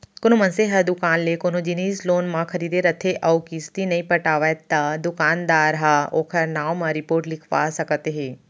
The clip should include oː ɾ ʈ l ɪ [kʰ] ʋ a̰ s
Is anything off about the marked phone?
no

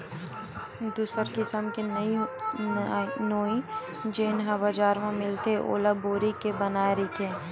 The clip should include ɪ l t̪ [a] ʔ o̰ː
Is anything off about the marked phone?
yes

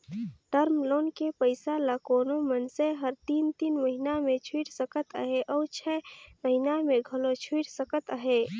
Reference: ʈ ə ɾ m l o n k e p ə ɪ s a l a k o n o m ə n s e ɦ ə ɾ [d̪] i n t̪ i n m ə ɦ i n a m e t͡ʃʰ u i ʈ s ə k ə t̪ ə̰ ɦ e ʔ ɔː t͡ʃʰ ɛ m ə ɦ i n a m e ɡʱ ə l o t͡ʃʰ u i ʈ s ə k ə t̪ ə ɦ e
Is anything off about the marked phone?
yes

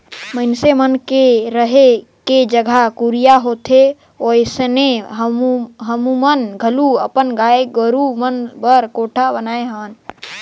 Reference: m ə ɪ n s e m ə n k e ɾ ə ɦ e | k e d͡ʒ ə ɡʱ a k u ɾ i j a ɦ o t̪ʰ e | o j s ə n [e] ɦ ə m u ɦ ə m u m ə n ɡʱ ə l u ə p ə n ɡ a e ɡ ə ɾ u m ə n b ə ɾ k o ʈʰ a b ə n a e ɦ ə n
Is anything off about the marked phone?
no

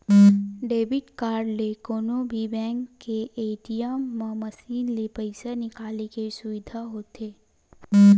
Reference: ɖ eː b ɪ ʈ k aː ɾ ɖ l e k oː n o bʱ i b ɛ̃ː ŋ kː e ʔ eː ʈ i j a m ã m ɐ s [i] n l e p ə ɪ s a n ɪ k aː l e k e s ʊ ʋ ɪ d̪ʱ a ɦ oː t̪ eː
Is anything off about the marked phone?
yes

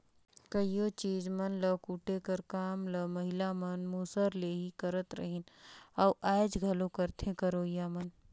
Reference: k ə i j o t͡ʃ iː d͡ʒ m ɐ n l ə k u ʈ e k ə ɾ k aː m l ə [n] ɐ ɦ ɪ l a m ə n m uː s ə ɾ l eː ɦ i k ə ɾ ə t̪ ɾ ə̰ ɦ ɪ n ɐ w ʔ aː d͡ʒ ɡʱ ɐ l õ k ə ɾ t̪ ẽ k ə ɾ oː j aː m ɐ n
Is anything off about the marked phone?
yes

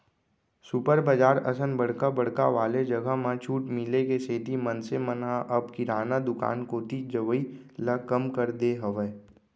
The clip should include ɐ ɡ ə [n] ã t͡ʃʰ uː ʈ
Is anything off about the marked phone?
yes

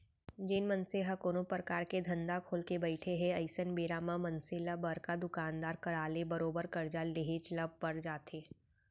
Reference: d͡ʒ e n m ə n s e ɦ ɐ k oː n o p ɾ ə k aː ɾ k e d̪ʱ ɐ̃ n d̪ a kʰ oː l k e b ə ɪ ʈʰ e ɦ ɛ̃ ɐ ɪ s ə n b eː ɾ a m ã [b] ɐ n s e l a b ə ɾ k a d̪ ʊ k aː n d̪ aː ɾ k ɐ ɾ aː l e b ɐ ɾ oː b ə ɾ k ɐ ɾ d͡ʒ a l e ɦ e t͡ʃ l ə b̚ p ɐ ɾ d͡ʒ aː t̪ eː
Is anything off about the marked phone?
yes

